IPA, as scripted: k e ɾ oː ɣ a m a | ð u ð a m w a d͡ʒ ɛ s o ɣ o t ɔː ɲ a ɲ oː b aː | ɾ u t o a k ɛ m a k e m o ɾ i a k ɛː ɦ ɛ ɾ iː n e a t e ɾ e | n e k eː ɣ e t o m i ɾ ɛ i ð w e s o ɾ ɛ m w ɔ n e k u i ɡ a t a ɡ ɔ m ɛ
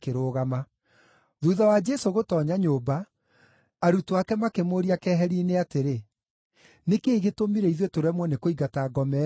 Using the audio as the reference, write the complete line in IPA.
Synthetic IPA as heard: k e ɾ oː ɣ a m a | ð u ð a w a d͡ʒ ɛ s o ɣ o t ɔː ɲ a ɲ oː b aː | ɾ u t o a k ɛ m a k e m o ɾ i a k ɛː ɦ ɛ ɾ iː n e a t e ɾ e | n e k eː ɣ e t o m i ɾ ɛ i ð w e t o ɾ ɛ m w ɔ n e k o i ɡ a t a ɡ ɔ m ɛ